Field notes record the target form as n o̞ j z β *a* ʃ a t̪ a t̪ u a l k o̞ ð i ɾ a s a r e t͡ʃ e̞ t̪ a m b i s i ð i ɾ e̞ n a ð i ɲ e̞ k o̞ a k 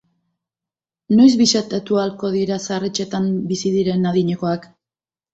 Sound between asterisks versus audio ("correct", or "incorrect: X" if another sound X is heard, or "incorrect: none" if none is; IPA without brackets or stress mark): incorrect: i